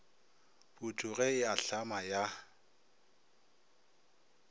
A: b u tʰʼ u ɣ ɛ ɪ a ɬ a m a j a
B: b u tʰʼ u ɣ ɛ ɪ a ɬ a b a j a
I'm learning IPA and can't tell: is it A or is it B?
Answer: A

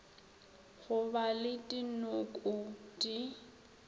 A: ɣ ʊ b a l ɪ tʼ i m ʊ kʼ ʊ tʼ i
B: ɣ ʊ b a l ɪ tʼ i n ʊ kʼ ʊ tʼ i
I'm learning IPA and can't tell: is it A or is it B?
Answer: B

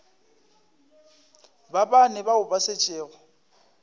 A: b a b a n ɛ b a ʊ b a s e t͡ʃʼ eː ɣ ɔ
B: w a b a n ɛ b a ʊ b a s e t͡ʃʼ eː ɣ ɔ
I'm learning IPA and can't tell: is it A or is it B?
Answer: A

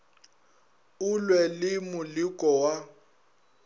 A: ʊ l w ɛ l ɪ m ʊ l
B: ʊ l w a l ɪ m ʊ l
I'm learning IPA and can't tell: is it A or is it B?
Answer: A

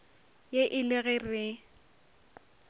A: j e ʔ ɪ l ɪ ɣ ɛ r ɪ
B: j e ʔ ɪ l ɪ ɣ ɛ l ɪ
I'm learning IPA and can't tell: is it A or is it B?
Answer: A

